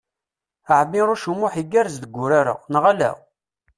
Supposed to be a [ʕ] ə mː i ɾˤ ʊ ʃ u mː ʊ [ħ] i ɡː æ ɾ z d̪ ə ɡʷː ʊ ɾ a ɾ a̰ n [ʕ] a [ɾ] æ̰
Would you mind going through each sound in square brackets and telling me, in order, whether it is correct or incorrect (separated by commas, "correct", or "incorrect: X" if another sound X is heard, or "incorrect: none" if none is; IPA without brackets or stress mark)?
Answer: correct, correct, incorrect: ʁ, incorrect: l